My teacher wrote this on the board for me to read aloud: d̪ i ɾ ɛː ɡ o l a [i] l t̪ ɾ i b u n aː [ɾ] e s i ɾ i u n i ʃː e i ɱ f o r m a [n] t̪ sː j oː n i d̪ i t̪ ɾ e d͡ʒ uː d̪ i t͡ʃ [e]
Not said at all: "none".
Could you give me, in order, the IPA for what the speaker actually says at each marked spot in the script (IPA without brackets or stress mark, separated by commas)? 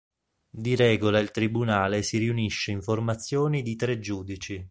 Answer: i, l, none, i